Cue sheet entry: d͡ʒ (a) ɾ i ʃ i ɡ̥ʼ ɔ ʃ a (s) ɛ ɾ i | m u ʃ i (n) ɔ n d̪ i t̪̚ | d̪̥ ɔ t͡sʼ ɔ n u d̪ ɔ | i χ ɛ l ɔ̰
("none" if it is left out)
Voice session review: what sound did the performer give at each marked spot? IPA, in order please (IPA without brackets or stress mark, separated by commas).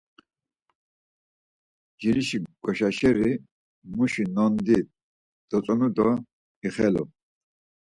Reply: i, ʃ, n